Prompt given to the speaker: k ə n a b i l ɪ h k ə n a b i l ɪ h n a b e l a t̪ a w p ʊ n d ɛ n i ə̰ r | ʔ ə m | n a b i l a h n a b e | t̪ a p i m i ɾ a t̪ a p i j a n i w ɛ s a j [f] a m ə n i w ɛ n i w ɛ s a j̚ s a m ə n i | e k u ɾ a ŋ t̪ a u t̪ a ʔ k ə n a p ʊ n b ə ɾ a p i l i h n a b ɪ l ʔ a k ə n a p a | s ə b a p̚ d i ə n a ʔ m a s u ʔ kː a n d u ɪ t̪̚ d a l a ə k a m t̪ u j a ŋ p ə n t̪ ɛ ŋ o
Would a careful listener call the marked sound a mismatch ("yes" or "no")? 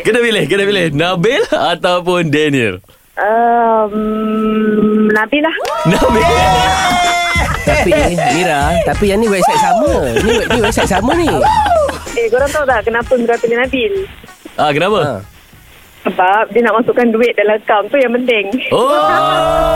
yes